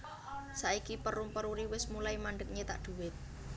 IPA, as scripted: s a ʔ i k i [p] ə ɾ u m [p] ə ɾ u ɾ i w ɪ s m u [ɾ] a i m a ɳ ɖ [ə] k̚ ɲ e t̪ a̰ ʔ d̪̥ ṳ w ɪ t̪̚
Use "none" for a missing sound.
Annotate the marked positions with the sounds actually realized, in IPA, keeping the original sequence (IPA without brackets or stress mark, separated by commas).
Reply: p, p, l, ə